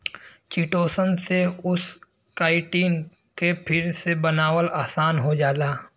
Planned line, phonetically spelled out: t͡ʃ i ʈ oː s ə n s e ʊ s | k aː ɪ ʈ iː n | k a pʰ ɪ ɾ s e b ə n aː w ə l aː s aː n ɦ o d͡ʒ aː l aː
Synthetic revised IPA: t͡ʃ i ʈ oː s ə n s e ʊ s | k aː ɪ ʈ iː n | k e pʰ ɪ ɾ s e b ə n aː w ə l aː s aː n ɦ o d͡ʒ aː l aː